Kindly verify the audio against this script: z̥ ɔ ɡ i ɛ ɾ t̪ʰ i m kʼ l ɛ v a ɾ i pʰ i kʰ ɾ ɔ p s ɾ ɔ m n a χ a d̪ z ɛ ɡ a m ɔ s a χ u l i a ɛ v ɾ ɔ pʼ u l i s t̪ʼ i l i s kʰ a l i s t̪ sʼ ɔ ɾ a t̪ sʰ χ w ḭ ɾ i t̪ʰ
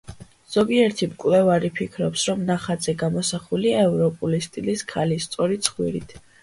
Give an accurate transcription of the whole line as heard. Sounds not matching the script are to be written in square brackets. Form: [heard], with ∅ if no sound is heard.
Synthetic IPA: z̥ ɔ ɡ i ɛ ɾ t̪ʰ i m kʼ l ɛ v a ɾ i pʰ i kʰ ɾ ɔ p s ɾ ɔ m n a χ a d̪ z ɛ ɡ a m ɔ s a χ u l i a ɛ v ɾ ɔ pʼ u l i s t̪ʼ i l i s kʰ a l i s t̪ sʼ ɔ ɾ [i] t̪ sʰ χ w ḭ ɾ i t̪ʰ